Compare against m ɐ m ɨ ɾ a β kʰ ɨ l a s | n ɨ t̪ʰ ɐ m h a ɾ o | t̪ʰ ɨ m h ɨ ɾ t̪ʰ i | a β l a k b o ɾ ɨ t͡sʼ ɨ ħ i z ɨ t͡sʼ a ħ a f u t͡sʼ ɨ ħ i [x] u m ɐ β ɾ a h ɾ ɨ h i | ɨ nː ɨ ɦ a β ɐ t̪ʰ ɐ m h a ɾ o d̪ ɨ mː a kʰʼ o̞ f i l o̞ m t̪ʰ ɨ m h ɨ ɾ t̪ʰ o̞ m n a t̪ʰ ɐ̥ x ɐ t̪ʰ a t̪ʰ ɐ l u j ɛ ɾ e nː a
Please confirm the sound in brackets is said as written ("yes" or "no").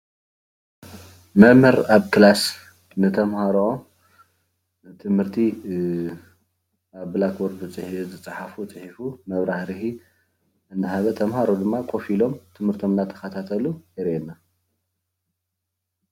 no